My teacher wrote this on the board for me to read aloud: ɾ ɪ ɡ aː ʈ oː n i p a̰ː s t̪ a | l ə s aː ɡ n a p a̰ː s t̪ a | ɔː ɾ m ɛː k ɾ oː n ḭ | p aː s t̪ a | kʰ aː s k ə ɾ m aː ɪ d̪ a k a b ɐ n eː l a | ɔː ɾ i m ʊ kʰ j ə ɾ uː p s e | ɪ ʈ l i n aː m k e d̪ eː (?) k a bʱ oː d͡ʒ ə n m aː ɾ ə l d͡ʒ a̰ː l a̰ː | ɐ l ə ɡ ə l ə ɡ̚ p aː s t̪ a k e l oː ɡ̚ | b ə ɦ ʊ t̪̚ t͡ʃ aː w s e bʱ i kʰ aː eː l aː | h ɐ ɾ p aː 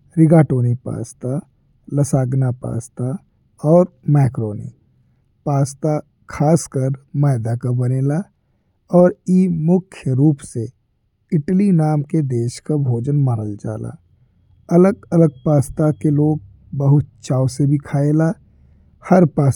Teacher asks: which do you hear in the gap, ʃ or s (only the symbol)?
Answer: ʃ